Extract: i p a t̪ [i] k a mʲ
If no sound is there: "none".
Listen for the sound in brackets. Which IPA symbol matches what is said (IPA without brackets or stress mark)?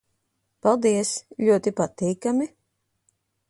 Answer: iː